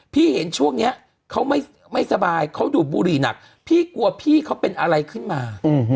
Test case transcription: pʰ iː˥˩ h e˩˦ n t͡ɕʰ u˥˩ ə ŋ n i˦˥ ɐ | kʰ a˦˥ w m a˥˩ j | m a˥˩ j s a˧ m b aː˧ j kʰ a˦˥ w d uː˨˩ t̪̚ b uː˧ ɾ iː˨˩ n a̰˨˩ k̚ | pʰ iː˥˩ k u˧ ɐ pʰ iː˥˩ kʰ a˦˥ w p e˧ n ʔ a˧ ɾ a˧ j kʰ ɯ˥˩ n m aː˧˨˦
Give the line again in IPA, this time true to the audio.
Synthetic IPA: pʰ iː˥˩ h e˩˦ n t͡ɕʰ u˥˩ ə ŋ n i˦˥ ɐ | kʰ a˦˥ w m a˥˩ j | m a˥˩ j s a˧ b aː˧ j kʰ a˦˥ w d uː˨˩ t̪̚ b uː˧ ɾ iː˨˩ n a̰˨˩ k̚ | pʰ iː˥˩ k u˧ ɐ pʰ iː˥˩ kʰ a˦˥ w p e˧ n ʔ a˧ ɾ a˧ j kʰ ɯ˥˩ n m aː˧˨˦